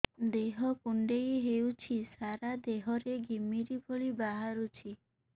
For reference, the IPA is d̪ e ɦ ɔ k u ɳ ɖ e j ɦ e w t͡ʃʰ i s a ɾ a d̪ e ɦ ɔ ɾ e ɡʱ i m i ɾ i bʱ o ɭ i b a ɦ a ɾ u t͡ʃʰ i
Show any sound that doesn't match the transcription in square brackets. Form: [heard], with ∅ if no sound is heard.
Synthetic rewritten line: d̪ e ɦ ɔ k u ɳ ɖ e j ɦ e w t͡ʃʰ i s a ɾ a d̪ e ɦ ɔ ɾ e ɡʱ i m i ɾ i bʱ o ɭ i b a ɦ a ɾ u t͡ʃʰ i